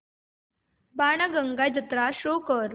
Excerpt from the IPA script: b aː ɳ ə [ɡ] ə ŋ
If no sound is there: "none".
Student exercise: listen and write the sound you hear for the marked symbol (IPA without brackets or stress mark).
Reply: ɡ